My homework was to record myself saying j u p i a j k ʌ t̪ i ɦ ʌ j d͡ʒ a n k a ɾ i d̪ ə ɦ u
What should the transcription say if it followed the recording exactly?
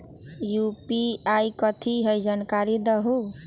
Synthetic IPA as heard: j u p i a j k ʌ t̪ʰ i ɦ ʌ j d͡ʒ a n k a ɾ i d̪ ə ɦ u